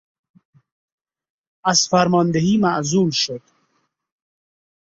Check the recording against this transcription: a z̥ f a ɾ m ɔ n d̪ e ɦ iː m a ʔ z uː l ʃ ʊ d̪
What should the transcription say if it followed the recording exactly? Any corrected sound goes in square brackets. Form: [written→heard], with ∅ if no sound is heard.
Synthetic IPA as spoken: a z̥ f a ɾ m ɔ n d̪ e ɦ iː m a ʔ z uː l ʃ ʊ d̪